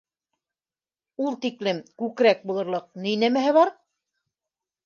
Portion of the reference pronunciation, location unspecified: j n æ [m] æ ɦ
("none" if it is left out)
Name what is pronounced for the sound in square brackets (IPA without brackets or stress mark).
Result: m